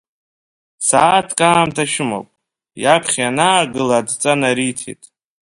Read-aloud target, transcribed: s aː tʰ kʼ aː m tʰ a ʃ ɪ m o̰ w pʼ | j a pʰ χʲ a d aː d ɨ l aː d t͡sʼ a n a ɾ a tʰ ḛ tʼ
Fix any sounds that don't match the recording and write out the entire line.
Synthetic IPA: s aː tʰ kʼ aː m tʰ a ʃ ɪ m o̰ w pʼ | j a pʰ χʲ a n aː ɡ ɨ l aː d t͡sʼ a n a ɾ i tʰ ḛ tʼ